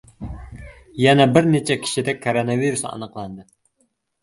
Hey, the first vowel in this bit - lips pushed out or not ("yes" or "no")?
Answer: no